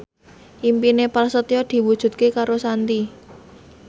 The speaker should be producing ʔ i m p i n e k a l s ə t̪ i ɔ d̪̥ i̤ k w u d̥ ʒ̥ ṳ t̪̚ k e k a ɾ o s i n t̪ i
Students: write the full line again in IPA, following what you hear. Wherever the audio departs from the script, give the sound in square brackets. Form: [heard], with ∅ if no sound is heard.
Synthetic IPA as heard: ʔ i m p i n e [p] a l s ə t̪ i ɔ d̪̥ i̤ [∅] w u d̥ ʒ̥ ṳ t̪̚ k e k a ɾ o s [a] n t̪ i